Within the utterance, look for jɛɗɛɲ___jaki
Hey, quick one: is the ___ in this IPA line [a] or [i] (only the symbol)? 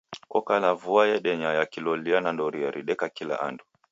a